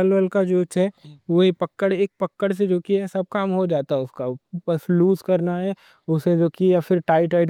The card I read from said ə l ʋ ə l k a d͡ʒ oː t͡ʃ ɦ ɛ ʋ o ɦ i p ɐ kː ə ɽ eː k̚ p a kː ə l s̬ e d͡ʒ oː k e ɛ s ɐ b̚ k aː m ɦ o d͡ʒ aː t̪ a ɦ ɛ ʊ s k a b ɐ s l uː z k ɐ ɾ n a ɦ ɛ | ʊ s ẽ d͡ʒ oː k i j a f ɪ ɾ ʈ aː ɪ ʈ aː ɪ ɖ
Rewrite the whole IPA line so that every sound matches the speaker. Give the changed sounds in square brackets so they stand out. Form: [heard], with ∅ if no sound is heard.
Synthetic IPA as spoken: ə l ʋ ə l k a d͡ʒ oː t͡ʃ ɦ ɛ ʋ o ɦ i p ɐ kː ə ɽ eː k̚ p [ɐ] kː ə [ɽ] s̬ e d͡ʒ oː k [i] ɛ s ɐ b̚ k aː m ɦ o d͡ʒ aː t̪ a ɦ ɛ ʊ s k a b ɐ s l uː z k ɐ ɾ n a ɦ ɛ | ʊ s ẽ d͡ʒ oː k i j a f ɪ ɾ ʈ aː ɪ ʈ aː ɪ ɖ